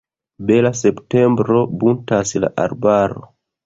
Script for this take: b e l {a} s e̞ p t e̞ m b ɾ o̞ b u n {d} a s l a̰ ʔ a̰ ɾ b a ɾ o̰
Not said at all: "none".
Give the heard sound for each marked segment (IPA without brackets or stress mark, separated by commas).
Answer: a, t